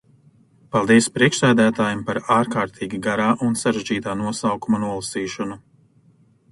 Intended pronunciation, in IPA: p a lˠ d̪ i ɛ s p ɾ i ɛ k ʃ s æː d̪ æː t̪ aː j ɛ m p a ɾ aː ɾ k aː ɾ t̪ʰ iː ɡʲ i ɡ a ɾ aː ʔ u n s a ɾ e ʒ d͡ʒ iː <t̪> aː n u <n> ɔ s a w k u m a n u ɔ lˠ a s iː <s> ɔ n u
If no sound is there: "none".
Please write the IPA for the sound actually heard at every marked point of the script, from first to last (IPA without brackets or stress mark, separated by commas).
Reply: t̪, none, ʃ